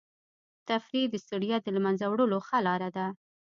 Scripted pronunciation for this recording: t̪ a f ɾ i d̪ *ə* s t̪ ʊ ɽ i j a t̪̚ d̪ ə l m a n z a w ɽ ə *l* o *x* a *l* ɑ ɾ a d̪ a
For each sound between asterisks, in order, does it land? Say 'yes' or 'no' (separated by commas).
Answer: yes, yes, yes, yes